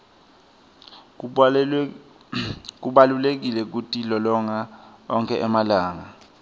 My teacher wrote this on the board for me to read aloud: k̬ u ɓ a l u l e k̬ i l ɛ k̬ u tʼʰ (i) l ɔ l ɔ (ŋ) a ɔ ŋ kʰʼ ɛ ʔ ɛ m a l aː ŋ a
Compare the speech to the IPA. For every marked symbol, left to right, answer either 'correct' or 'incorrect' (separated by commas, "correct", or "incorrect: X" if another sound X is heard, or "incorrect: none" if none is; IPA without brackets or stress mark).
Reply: correct, correct